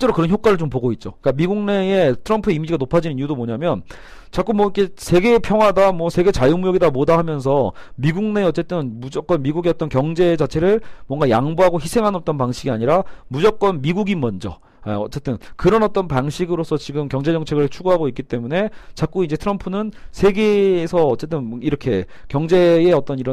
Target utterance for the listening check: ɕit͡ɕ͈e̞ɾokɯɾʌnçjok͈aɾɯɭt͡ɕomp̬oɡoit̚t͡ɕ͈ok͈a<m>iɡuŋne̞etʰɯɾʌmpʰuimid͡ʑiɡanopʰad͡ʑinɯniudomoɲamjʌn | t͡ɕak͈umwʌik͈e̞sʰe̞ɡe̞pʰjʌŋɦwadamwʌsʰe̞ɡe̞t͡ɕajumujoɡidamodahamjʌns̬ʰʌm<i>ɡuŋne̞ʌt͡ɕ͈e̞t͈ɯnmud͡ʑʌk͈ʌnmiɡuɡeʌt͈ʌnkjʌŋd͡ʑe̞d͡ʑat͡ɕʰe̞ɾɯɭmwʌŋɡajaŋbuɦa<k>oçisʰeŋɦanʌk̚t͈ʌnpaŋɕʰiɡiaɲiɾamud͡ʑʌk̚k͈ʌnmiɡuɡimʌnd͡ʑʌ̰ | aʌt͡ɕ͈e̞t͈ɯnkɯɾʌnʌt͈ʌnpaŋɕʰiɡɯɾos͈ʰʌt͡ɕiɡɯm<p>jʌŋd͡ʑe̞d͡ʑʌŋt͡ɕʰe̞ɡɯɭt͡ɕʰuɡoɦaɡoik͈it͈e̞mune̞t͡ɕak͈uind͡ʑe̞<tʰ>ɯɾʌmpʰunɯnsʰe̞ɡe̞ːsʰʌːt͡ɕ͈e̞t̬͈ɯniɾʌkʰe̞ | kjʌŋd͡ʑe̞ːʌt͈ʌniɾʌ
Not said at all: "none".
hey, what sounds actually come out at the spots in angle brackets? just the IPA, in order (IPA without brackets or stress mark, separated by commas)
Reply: m, i, ɡ, k, tʰ